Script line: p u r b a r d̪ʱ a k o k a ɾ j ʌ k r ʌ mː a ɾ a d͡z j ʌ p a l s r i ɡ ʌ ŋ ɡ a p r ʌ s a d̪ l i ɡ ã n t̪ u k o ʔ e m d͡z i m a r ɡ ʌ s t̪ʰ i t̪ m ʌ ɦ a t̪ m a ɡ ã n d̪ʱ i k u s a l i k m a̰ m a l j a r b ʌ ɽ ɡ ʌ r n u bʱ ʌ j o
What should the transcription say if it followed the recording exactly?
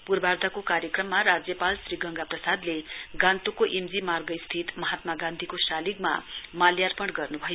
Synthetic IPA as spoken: p u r b a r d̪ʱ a k o k a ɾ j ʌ k r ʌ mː a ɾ a d͡z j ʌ p a l s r i ɡ ʌ ŋ ɡ a p r ʌ s a d̪ l e ɡ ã n t̪ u k o ʔ e m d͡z i m a r ɡ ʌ s t̪ʰ i t̪ m ʌ ɦ a t̪ m a ɡ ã n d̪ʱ i k o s a l i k m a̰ m a l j a r p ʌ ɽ ɡ ʌ r n u bʱ ʌ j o